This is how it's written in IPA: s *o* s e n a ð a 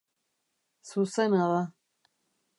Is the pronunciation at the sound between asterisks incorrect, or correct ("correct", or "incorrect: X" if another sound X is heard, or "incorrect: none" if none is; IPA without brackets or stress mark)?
incorrect: u